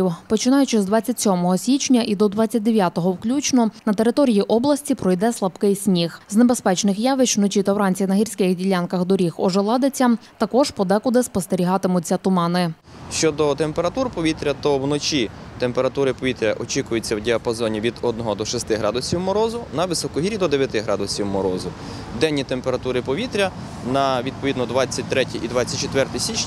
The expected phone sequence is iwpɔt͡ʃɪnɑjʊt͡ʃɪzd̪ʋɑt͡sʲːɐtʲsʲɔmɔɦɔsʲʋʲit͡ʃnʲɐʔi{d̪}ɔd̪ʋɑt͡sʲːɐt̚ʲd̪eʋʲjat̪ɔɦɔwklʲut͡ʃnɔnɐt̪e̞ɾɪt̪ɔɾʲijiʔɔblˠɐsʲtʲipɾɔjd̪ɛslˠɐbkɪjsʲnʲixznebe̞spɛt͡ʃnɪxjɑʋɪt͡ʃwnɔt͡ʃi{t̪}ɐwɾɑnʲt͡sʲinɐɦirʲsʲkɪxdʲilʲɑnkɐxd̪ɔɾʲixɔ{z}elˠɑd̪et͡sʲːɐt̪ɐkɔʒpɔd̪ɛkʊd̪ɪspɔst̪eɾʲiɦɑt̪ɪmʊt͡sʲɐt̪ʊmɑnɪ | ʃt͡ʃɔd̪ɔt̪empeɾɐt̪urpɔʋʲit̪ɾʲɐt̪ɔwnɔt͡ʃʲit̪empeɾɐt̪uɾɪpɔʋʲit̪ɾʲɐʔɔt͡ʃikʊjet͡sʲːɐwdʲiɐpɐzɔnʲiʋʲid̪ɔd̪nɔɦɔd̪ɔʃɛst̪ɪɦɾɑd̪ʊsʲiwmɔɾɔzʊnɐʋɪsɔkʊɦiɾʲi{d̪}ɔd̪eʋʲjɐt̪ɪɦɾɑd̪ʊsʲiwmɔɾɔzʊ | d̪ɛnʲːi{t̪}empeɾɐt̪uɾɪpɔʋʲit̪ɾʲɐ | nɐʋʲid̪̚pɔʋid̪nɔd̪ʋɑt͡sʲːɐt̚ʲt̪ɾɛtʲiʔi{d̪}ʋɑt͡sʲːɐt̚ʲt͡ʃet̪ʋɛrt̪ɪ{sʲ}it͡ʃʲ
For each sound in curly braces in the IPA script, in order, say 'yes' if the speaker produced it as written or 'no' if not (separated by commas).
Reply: yes, yes, no, yes, yes, yes, yes